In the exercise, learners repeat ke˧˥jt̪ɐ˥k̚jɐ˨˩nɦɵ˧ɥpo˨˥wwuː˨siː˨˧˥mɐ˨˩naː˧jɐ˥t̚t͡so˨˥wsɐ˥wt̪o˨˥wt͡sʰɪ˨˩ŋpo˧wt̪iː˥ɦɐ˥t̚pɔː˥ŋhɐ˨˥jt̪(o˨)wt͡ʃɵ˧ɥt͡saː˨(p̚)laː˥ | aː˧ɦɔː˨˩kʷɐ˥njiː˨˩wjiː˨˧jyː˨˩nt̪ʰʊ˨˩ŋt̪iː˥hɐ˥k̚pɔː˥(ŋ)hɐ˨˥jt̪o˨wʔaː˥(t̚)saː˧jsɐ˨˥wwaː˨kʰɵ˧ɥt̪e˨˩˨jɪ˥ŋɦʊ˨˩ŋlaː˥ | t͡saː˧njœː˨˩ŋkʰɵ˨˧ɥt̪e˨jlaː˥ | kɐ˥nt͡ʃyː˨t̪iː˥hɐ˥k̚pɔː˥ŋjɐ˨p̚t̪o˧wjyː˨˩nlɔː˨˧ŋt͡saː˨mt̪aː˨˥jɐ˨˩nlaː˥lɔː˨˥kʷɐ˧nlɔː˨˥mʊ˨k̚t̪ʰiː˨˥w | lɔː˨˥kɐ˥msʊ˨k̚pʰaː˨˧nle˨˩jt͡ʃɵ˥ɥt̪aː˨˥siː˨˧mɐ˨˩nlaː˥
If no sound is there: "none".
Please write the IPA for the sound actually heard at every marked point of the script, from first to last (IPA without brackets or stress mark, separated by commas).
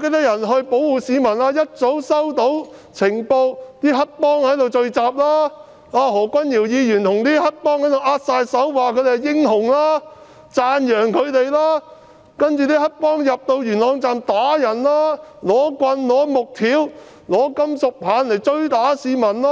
o˨, p̚, ŋ, t̚